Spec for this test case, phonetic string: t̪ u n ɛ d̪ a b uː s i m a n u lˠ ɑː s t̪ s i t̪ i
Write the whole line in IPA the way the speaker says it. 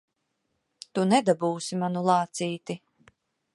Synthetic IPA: t̪ u n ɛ d̪ a b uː s i m a n u lˠ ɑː t̪ s iː t̪ i